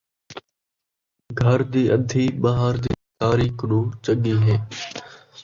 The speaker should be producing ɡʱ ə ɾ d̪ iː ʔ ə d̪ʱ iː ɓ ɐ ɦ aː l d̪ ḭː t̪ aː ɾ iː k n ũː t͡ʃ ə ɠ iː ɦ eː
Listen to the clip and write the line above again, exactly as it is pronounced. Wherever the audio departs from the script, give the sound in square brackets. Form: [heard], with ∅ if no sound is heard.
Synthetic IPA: ɡʱ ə ɾ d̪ iː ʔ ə d̪ʱ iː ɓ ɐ ɦ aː [ɾ] d̪ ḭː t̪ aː ɾ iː k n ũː t͡ʃ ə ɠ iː ɦ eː